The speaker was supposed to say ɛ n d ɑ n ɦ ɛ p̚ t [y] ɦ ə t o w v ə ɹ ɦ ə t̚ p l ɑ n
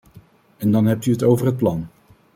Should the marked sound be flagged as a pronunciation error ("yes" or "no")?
no